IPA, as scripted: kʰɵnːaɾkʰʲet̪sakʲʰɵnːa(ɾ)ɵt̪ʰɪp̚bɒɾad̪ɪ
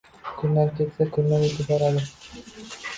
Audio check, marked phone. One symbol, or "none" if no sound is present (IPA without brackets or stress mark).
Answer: ɾ